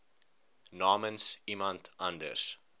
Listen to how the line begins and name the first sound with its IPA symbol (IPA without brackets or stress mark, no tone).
n